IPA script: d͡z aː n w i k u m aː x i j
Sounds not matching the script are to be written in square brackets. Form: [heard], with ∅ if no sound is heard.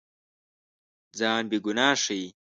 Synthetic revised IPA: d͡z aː n [b] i [ɡ] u [n] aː [ʂ] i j

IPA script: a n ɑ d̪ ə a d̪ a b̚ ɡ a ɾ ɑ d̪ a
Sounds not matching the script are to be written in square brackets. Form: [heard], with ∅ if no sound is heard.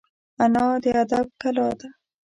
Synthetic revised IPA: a n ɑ d̪ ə a d̪ a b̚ [k] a [l] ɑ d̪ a

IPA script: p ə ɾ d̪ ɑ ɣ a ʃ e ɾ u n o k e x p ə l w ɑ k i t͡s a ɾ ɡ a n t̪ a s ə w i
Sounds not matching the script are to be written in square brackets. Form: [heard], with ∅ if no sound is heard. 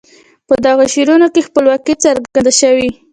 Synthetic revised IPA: p ə [∅] d̪ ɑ ɣ a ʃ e ɾ u n o k e x p ə l w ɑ k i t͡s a ɾ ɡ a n [d̪] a [ʃ] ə w i

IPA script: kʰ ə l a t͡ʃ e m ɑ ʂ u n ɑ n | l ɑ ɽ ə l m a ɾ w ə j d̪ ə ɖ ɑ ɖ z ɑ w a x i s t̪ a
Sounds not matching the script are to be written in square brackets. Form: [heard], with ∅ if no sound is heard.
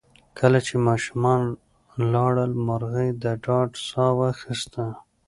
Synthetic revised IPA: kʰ ə l a t͡ʃ e m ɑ [ʃ] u [m] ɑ n | l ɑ ɽ ə l m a ɾ [ɣ] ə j d̪ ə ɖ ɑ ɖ [s] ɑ w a x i s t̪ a

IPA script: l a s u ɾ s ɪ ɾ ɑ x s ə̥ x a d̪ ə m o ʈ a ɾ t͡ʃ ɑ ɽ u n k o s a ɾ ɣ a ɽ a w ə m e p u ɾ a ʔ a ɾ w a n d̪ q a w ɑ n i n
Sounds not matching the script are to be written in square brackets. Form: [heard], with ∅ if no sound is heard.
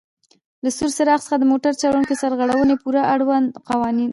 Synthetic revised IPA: l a s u ɾ s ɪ ɾ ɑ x s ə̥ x a d̪ ə m o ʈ a ɾ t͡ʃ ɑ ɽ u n k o s a ɾ ɣ a ɽ a w ə [n] e p u ɾ a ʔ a [ɽ] w a n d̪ q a w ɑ n i n

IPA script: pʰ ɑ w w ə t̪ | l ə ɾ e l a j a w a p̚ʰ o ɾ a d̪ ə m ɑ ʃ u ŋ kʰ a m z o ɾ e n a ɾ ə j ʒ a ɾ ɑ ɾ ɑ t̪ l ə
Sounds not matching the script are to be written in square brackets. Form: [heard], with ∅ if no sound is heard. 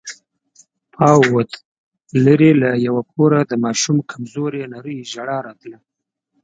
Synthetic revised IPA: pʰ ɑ w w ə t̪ | l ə ɾ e l a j a w a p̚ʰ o ɾ a d̪ ə m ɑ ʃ u [m] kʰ a m z o ɾ e n a ɾ ə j ʒ a [ɽ] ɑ ɾ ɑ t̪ l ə

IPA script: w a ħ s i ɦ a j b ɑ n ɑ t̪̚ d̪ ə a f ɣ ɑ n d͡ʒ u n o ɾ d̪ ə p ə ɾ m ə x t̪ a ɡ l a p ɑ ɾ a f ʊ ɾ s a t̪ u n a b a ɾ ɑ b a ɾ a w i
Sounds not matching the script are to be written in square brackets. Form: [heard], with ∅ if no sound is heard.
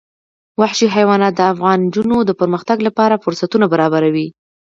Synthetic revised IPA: w a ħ [ʃ] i ɦ a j [w] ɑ n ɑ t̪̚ d̪ ə a f ɣ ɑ n d͡ʒ u n o [∅] d̪ ə p ə ɾ m ə x t̪ a ɡ l a p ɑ ɾ a f ʊ ɾ s a t̪ u n a b a ɾ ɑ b a ɾ a w i

